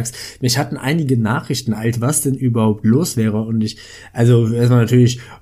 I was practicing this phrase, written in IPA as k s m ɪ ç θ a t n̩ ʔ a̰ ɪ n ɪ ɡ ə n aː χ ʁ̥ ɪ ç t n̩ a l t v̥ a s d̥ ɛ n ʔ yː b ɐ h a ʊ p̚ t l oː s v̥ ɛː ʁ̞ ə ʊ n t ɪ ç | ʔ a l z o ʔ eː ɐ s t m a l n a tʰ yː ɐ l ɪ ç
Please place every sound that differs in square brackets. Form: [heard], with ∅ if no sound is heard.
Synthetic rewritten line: k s m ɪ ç [h] a t n̩ ʔ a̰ ɪ n ɪ ɡ ə n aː χ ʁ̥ ɪ ç t n̩ a l [s] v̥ a s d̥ ɛ n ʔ yː b ɐ h a ʊ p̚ t l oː s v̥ ɛː ʁ̞ ə ʊ n t ɪ ç | ʔ a l z o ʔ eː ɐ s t m a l n a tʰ yː ɐ l ɪ ç